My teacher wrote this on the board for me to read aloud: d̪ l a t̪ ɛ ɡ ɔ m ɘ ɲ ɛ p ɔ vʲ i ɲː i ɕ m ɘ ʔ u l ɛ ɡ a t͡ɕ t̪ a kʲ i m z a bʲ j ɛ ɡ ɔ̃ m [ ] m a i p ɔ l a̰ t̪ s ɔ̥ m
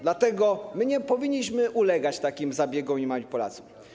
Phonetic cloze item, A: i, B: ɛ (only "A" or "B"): A